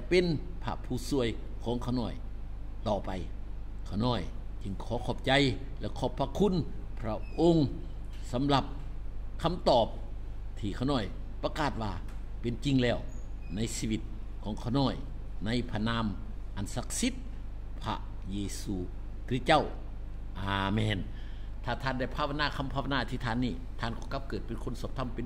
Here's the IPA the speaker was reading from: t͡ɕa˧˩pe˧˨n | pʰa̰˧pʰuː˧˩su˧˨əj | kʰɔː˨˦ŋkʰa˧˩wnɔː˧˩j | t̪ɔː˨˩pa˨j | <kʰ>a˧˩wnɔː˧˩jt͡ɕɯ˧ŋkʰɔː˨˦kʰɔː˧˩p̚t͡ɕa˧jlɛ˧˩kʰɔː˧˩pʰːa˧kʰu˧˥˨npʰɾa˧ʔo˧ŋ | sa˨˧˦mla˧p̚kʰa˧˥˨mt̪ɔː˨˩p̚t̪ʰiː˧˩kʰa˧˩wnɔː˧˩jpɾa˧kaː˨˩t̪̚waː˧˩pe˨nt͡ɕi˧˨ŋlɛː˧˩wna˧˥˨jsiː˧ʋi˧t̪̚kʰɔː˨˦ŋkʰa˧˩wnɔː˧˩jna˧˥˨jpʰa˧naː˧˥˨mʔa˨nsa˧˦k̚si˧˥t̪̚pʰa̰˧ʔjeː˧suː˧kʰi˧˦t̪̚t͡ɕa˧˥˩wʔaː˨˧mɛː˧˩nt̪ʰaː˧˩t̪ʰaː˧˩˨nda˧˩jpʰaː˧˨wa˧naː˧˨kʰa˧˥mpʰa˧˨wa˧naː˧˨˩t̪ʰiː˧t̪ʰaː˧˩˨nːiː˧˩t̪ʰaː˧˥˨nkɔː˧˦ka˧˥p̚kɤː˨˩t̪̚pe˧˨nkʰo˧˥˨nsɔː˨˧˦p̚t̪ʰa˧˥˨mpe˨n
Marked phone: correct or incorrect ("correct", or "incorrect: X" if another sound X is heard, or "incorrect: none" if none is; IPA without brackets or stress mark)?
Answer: correct